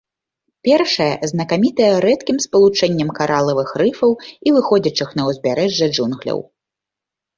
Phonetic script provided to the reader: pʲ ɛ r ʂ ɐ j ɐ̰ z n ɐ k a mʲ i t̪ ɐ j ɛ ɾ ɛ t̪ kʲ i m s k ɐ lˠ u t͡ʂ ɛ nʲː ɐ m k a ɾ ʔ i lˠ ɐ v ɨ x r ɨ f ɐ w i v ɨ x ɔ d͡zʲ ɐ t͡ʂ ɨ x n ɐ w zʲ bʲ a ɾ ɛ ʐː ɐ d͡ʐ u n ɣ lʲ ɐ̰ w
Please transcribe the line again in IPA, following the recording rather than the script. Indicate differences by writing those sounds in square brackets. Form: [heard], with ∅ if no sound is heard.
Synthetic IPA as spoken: pʲ ɛ r ʂ ɐ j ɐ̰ z n ɐ k a mʲ i t̪ ɐ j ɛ ɾ ɛ t̪ kʲ i m s [p] ɐ lˠ u t͡ʂ ɛ nʲː ɐ m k a ɾ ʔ [a] lˠ ɐ v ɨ x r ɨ f ɐ w i v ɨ x ɔ d͡zʲ ɐ t͡ʂ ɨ x n ɐ w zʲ bʲ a ɾ ɛ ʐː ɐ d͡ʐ u n ɣ lʲ ɐ̰ w